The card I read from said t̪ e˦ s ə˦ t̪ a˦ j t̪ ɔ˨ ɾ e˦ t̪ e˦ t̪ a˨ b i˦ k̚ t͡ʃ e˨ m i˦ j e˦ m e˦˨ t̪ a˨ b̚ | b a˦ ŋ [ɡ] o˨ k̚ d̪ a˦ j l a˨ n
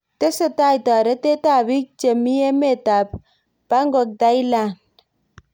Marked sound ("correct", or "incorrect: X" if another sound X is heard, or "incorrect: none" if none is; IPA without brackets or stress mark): correct